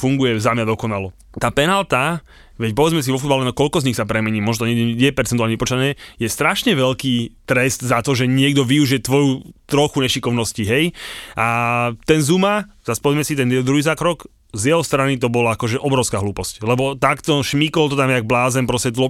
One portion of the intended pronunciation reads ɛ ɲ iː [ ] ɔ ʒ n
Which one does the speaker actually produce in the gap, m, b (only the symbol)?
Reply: m